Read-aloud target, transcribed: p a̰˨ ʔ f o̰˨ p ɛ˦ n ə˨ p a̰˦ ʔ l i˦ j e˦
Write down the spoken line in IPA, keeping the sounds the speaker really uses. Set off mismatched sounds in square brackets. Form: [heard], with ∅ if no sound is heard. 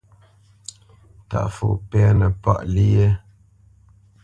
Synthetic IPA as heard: [t] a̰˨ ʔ f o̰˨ p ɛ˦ n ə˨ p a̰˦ ʔ l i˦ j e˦